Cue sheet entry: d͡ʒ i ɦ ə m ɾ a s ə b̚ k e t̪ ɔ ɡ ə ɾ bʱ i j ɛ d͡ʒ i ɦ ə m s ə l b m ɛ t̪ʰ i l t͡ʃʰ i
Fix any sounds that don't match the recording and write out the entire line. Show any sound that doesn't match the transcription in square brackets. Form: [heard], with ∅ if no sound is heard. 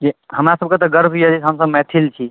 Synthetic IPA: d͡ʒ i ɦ ə m ɾ a s ə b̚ k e t̪ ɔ ɡ ə ɾ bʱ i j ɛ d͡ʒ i ɦ ə m s ə [∅] b m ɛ t̪ʰ i l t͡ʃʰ i